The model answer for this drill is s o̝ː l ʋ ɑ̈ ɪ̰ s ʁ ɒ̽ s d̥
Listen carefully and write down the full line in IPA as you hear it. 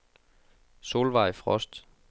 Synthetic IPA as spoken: s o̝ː l ʋ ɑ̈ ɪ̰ f ʁ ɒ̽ s d̥